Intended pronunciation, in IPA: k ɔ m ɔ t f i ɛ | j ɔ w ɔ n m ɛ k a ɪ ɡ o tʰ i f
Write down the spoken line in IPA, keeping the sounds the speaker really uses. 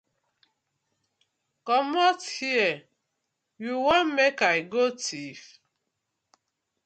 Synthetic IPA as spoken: k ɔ m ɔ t h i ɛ | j u w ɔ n m e k a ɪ ɡ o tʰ i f